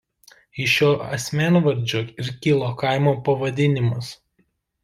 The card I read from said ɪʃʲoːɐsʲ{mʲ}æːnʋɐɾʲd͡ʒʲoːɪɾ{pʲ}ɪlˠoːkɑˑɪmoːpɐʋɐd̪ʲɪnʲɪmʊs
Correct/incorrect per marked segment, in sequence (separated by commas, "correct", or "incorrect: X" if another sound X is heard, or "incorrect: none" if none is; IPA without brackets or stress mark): correct, incorrect: kʲ